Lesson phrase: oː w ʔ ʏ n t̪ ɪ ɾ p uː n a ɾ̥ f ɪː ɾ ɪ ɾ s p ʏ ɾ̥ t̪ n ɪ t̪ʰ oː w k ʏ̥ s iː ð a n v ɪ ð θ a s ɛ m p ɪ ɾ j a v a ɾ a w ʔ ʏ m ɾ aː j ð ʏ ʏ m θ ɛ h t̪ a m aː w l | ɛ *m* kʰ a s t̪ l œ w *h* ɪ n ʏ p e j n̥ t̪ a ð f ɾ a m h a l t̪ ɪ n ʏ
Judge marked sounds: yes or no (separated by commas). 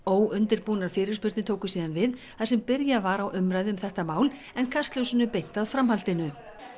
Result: no, no